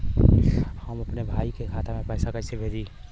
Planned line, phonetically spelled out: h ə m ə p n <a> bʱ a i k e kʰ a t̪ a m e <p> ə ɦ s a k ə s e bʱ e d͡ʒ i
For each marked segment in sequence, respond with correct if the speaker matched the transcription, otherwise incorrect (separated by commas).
incorrect, correct